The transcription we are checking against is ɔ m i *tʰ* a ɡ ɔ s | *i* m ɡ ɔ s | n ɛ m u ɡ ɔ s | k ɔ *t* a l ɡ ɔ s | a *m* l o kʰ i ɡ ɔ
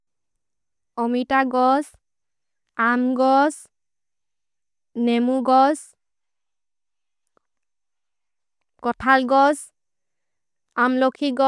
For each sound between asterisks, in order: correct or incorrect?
incorrect: t, incorrect: a, incorrect: tʰ, correct

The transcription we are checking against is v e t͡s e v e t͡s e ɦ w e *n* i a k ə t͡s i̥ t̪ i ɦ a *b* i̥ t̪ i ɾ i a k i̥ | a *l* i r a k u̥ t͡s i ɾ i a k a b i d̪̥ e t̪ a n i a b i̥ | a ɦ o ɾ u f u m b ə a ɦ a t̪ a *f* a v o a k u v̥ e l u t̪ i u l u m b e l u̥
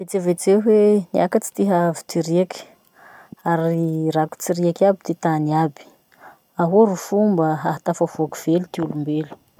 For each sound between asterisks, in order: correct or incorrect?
correct, incorrect: v, incorrect: ɾ, correct

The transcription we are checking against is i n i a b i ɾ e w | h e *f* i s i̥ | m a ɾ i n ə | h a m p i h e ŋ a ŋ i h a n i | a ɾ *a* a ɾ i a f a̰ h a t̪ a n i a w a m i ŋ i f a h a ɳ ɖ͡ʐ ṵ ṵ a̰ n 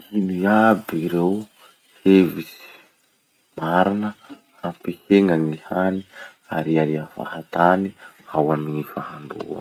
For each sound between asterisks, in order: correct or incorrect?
incorrect: v, incorrect: i

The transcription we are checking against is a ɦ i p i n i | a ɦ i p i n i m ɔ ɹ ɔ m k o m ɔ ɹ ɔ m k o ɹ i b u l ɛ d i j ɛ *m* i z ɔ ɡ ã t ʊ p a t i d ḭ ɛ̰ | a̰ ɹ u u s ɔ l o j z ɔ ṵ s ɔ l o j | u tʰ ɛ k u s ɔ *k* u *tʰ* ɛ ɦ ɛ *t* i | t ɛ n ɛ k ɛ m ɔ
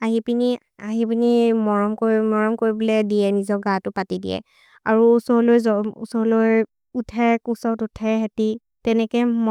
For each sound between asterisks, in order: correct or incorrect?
incorrect: n, incorrect: t, correct, correct

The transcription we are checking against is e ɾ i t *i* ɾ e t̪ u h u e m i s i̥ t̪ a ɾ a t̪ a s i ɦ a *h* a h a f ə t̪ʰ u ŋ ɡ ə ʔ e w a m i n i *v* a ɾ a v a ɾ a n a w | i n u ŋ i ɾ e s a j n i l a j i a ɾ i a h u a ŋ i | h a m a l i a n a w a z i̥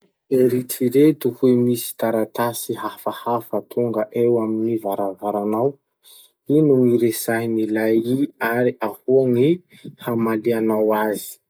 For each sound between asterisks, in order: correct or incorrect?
correct, incorrect: f, correct

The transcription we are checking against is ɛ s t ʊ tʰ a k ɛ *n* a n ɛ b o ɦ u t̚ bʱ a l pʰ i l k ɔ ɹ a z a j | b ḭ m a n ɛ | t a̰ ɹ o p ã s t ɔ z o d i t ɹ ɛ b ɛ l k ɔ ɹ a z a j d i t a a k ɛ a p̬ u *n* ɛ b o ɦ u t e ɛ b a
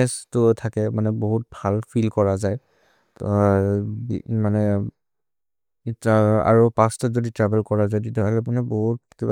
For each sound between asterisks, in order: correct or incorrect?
incorrect: m, correct

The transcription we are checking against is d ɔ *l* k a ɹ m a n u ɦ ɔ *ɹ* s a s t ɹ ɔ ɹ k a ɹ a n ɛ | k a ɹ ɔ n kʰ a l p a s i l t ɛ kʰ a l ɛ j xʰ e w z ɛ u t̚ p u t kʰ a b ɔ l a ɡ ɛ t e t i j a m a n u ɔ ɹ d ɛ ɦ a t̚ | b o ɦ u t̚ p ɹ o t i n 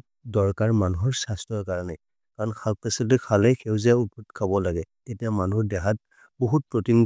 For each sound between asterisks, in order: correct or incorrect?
incorrect: ɹ, correct

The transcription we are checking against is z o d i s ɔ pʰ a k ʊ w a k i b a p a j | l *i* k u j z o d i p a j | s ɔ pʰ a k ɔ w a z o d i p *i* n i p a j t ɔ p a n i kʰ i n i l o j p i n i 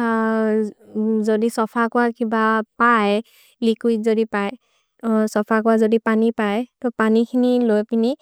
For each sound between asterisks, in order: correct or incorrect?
correct, incorrect: a

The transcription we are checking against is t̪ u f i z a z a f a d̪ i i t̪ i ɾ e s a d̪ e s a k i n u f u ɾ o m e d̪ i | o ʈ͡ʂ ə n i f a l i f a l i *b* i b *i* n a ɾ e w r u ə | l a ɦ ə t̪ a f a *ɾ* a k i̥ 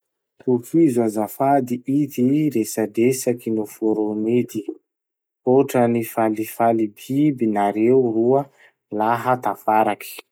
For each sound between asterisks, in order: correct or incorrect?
correct, correct, correct

